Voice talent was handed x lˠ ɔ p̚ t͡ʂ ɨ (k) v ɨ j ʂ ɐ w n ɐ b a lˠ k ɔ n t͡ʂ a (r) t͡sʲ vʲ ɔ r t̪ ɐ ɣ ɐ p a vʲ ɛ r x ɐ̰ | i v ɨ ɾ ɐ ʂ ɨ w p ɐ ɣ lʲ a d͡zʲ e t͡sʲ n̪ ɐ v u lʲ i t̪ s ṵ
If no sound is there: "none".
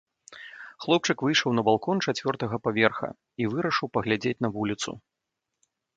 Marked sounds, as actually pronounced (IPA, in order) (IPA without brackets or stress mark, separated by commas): k, none